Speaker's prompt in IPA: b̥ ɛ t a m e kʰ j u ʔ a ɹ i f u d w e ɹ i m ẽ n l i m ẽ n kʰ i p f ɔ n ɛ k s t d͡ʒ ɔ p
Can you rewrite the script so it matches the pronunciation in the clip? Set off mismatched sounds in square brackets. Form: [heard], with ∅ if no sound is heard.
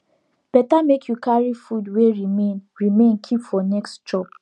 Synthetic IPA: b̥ ɛ t a m e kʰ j u [k] a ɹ i f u d w e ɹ i m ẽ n [ɹ] i m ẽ n kʰ i p f ɔ n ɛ k s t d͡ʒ ɔ p